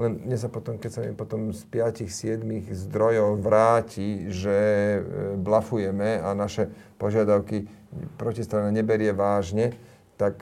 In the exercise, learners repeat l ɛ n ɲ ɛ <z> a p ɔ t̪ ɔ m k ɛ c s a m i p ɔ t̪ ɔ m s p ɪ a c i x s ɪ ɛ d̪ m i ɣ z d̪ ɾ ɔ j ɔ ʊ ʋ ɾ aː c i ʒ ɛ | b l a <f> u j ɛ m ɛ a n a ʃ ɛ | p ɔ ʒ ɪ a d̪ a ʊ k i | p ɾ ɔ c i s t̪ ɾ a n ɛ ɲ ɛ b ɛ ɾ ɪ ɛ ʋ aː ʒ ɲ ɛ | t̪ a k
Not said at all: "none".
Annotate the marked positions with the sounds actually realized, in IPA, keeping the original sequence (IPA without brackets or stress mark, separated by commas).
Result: s, f